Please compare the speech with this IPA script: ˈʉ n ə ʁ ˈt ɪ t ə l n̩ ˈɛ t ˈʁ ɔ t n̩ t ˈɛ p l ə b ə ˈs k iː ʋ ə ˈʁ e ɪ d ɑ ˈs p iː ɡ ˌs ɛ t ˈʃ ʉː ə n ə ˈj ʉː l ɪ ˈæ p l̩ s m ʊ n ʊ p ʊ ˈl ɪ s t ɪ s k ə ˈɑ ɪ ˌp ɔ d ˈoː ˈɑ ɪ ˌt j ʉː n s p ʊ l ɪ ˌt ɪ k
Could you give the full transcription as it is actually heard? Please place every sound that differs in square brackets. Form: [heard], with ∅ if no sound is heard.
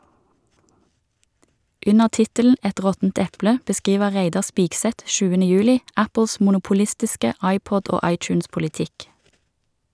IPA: ˈʉ n ə ʁ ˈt ɪ t ə l n̩ ˈɛ t ˈʁ ɔ t n̩ t ˈɛ p l ə b ə ˈs k iː ʋ ə ˈʁ e ɪ d ɑ ˈs p iː ɡ ˌs ɛ t ˈʃ ʉː ə n ə ˈj ʉː l ɪ ˈæ p l̩ s m ʊ n ʊ p ʊ ˈl ɪ s t ɪ s k ə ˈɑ ɪ ˌp ɔ d ˈoː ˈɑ ɪ ˌt j ʉː n s p ʊ l ɪ ˌt ɪ k